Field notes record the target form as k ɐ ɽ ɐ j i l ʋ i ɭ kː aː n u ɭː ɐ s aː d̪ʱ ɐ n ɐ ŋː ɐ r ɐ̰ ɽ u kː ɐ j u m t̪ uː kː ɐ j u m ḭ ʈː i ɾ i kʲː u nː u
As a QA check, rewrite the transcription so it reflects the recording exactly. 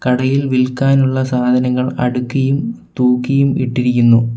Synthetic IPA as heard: k ɐ ɽ ɐ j i l ʋ i l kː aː n u ɭː ɐ s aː d̪ʱ ɐ n ɐ ŋː ɐ ɭ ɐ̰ ɽ u kː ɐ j u m t̪ uː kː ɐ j u m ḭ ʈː i ɾ i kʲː u nː u

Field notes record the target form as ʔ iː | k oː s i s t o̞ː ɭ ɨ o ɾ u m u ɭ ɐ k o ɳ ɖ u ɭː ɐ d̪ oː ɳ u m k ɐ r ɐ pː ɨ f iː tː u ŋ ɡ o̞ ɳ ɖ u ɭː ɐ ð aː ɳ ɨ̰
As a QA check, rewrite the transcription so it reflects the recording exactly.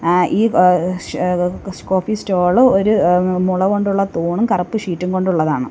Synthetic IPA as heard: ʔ iː | k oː f i s t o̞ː ɭ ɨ o ɾ u m u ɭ ɐ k o ɳ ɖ u ɭː ɐ t̪ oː ɳ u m k ɐ r ɐ pː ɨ ʂ iː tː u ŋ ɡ o̞ ɳ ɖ u ɭː ɐ ð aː ɳ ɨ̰

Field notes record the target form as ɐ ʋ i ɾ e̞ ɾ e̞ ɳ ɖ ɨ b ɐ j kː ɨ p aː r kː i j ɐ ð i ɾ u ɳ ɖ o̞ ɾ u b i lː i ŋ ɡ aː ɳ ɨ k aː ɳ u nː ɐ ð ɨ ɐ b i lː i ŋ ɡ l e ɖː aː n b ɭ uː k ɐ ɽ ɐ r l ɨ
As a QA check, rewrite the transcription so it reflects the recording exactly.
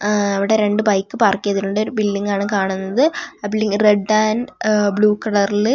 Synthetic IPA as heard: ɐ ʋ i ɽ e̞ ɾ e̞ ɳ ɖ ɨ b ɐ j kː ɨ p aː r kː i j ɐ ð i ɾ u ɳ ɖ o̞ ɾ u b i lː i ŋ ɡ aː ɳ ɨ k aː ɳ u nː ɐ ð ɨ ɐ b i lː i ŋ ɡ r e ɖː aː n b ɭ uː k ɐ ɽ ɐ r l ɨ

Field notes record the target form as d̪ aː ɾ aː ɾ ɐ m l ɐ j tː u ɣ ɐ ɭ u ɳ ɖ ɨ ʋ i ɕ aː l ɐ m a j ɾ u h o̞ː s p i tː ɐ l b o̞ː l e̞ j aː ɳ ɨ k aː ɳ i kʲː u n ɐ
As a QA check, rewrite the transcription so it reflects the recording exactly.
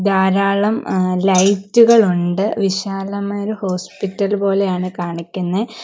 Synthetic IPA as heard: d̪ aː ɾ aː ɭ ɐ m l ɐ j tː u ɣ ɐ ɭ u ɳ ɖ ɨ ʋ i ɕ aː l ɐ m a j ɾ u h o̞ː s p i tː ɐ l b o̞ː l e̞ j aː ɳ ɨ k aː ɳ i kʲː u nː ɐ

